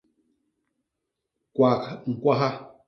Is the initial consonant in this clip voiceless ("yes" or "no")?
yes